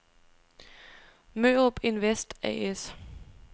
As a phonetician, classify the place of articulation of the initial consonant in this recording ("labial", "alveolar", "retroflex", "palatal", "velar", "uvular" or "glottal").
labial